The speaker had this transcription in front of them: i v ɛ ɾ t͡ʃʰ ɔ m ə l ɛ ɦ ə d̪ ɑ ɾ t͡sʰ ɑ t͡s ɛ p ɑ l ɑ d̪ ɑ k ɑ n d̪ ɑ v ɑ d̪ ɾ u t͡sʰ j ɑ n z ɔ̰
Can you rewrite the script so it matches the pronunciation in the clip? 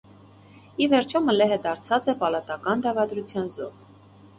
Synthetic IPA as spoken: i v ɛ ɾ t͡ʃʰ ɔ m ə l ɛ ɦ ə d̪ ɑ ɾ t͡sʰ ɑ t͡s ɛ p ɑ l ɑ t̪ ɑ k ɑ n d̪ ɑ v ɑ d̪ ɾ u t͡sʰ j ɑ n z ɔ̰